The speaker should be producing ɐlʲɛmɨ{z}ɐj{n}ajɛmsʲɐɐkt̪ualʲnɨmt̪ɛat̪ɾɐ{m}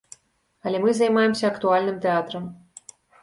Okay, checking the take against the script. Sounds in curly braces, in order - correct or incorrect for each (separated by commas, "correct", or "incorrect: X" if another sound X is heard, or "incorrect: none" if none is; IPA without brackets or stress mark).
correct, incorrect: m, correct